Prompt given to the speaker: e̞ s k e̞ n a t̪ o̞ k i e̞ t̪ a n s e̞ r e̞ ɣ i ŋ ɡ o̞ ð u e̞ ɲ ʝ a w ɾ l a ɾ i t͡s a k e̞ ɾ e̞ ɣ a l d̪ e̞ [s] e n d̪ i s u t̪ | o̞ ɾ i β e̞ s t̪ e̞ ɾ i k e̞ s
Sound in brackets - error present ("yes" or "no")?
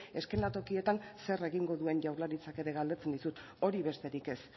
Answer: yes